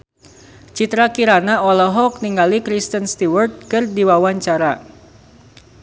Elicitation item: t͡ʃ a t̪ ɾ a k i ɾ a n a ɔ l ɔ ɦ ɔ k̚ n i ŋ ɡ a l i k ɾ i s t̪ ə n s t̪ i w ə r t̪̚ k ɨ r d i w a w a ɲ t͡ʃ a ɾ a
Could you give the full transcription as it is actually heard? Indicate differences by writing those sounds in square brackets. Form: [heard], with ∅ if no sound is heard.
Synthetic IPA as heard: t͡ʃ [i] t̪ ɾ a k i ɾ a n a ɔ l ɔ ɦ ɔ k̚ n i ŋ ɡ a l i k ɾ i s t̪ ə n s t̪ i w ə r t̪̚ k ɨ r d i w a w a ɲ t͡ʃ a ɾ a